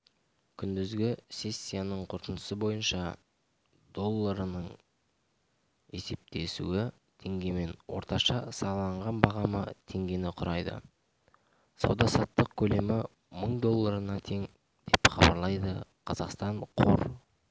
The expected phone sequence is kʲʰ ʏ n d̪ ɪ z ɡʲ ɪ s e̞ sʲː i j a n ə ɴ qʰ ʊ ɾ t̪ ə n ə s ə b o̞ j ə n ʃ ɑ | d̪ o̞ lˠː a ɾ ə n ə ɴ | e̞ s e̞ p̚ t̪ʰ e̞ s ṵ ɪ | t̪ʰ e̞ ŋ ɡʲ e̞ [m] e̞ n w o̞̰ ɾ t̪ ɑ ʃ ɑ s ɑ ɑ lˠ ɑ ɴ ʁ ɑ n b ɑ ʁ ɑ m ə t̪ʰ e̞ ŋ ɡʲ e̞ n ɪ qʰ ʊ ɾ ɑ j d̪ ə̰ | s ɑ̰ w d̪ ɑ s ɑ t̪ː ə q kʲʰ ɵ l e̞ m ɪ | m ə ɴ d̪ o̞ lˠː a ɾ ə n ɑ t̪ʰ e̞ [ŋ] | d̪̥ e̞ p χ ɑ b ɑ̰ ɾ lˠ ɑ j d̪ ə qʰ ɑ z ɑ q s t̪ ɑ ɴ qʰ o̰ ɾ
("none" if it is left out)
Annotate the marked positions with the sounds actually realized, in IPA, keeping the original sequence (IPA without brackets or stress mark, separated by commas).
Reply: m, ŋ